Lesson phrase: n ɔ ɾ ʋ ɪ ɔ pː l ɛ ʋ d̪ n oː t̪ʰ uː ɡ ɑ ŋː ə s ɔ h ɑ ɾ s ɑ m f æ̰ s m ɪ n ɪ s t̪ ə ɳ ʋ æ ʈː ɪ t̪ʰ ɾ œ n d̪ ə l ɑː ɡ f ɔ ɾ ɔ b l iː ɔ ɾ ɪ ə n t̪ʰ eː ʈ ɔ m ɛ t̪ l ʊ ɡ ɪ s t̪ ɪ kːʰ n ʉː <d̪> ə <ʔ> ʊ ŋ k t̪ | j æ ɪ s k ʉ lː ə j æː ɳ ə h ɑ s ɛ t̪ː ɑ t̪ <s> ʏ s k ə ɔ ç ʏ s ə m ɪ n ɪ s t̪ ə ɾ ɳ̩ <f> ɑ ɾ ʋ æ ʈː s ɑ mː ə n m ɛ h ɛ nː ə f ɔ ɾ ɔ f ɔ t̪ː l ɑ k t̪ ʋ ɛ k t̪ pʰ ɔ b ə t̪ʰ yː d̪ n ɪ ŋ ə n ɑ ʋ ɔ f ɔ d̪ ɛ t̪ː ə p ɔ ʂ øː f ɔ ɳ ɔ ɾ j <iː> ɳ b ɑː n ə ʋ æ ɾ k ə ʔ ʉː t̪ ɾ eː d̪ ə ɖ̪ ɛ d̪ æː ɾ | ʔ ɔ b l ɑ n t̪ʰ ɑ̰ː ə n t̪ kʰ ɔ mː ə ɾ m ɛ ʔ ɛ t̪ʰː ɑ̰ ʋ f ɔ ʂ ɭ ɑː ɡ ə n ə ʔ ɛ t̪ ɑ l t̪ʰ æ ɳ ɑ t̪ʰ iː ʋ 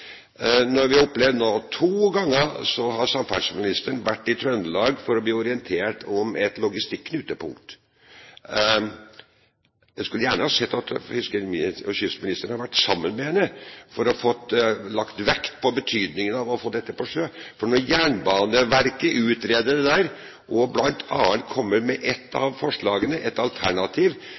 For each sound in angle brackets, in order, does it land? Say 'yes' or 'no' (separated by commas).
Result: no, no, no, no, no